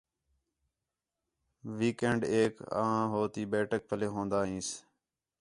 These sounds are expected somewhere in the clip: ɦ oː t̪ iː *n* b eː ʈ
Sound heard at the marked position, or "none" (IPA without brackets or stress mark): none